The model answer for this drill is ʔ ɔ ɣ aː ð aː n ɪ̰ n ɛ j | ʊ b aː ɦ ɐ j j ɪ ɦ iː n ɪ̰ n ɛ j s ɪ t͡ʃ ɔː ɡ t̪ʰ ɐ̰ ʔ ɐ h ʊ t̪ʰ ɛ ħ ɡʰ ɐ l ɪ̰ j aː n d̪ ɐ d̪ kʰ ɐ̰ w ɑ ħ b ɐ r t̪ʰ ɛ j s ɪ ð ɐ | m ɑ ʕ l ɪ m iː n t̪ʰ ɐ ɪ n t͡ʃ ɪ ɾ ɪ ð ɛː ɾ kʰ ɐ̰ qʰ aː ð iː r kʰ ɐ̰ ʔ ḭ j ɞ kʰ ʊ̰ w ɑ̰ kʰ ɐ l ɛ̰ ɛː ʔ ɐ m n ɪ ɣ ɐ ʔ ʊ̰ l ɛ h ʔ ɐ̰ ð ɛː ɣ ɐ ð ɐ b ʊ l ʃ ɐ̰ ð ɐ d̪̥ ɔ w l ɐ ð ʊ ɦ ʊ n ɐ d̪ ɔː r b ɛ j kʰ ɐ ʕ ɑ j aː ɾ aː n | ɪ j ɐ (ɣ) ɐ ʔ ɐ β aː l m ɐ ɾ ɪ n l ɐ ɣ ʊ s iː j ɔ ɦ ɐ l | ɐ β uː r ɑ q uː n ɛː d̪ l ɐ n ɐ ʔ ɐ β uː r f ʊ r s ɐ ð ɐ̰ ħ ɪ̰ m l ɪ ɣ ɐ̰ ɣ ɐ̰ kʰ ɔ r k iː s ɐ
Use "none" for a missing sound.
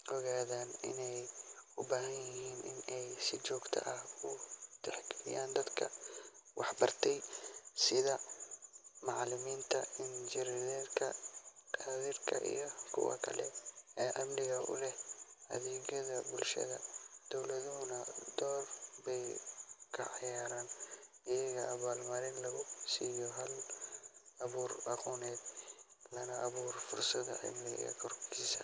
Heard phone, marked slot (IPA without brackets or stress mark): ɣ